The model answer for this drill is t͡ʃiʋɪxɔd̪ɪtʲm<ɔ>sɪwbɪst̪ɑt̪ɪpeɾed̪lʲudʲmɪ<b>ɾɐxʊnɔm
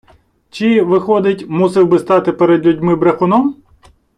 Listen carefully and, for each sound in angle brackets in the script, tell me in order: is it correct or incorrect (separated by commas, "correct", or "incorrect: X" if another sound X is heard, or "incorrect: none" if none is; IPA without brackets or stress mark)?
incorrect: u, correct